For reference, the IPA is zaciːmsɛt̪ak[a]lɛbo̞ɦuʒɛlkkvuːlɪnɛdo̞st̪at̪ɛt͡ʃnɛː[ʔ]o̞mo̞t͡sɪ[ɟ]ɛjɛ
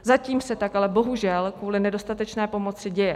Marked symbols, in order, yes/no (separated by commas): yes, no, yes